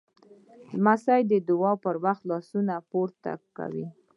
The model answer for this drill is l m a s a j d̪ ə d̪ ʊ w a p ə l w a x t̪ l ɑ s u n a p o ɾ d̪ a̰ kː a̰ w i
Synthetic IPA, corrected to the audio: l m a s a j d̪ ə d̪ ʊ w ɑ p ə ɾ w a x t̪ l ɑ s u n a p o ɾ t̪ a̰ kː a̰ w i